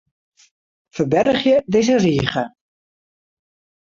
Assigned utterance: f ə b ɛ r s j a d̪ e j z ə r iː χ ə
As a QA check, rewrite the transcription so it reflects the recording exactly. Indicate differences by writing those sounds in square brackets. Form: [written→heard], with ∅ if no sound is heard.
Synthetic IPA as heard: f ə b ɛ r [s→χ] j [a→ə] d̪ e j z ə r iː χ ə